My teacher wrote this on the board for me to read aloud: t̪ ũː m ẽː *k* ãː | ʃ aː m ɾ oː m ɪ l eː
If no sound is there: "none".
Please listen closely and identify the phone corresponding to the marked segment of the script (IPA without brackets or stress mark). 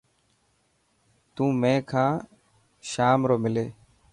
kʰ